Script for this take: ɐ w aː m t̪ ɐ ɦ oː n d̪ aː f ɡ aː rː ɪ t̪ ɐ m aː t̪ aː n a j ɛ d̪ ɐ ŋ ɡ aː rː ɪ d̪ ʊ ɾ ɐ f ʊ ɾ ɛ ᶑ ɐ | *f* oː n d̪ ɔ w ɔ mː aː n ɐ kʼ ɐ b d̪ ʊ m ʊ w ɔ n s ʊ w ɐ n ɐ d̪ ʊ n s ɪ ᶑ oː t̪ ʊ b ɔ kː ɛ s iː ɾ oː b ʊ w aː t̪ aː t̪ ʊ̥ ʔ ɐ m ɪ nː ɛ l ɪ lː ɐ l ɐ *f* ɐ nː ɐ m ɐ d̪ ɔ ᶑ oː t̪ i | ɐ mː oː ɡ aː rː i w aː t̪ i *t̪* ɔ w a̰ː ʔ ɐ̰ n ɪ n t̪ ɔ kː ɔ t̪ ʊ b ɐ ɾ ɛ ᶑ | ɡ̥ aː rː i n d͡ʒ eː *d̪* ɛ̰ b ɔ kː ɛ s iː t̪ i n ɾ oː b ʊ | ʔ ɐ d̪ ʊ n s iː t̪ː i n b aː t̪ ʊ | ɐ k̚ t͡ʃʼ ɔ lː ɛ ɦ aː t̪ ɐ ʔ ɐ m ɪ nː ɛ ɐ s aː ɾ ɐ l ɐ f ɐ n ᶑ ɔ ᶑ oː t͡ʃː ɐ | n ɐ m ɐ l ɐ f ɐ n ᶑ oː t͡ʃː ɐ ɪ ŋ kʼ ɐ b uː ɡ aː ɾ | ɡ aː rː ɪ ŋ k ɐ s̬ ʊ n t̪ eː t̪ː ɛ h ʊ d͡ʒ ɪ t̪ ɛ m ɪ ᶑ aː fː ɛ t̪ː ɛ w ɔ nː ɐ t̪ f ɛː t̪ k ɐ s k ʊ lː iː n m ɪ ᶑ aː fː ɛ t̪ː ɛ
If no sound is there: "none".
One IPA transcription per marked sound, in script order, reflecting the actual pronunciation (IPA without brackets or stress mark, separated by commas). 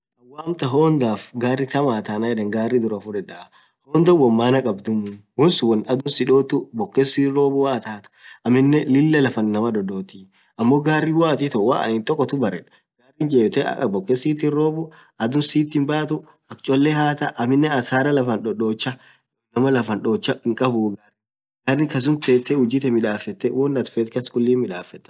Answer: h, f, t̪, t̪